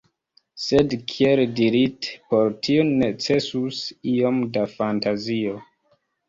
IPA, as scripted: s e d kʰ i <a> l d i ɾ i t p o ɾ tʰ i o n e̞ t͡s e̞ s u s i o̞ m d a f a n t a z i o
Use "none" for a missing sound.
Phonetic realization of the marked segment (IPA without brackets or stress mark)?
e